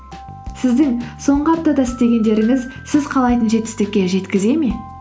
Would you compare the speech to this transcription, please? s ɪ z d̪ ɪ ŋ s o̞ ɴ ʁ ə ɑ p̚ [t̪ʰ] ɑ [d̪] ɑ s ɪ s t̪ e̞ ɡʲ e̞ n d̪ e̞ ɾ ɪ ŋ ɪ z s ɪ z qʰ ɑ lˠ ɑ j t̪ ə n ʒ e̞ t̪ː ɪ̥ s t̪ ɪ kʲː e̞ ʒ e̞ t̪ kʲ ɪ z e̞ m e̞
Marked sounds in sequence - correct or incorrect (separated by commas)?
incorrect, correct